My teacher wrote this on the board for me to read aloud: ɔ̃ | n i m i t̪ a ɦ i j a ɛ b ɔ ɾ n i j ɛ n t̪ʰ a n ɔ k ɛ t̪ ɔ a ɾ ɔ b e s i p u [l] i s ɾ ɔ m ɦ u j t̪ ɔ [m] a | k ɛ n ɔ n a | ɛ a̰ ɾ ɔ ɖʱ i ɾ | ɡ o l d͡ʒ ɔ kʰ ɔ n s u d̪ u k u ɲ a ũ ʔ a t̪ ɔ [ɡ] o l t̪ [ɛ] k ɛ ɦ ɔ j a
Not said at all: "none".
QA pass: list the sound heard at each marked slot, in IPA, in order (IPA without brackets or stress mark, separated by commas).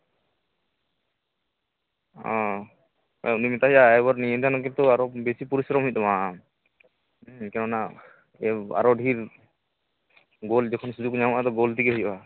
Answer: ɾ, m, ɡ, i